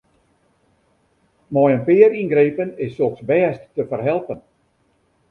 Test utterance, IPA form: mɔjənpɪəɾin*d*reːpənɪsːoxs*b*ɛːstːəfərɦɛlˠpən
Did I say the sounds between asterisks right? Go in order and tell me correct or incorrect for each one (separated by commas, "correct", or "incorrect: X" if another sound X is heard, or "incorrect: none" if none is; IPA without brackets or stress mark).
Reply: incorrect: ɡ, correct